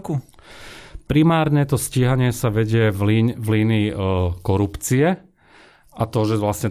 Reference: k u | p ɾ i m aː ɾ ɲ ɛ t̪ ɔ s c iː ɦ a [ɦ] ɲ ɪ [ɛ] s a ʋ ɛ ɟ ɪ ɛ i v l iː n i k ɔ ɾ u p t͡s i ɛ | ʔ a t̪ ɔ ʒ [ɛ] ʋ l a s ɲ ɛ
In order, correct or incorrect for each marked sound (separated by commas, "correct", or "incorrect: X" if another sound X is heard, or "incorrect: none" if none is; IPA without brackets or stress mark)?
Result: incorrect: none, correct, correct